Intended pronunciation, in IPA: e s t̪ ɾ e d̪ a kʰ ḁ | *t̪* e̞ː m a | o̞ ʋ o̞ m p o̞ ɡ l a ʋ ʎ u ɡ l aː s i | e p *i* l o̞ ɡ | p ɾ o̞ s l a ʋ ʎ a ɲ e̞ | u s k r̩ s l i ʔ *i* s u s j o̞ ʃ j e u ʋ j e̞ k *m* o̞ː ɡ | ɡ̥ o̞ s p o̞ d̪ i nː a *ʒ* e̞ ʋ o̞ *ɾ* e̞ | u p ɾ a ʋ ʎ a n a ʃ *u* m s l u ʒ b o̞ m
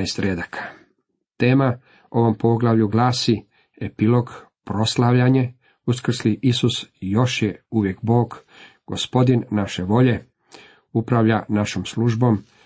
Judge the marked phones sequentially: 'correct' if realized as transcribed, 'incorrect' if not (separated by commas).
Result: correct, correct, correct, incorrect, incorrect, incorrect, incorrect